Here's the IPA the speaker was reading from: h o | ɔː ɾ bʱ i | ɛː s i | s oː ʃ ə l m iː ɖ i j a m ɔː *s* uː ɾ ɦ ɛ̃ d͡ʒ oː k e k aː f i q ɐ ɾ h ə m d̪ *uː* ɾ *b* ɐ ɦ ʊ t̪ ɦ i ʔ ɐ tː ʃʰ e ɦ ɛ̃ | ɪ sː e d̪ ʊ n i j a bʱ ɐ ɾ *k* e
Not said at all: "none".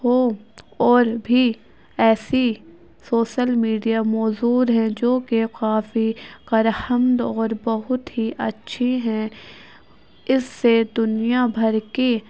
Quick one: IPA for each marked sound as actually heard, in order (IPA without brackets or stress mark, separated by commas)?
z, ɔː, b, k